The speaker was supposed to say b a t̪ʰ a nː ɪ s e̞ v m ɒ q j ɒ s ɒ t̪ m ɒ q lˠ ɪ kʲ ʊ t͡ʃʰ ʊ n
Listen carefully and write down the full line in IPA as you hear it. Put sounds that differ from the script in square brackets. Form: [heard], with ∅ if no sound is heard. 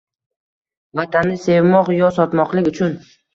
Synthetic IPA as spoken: [v] a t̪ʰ a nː ɪ s e̞ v m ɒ q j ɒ s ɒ t̪ m ɒ q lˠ ɪ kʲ ʊ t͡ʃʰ ʊ n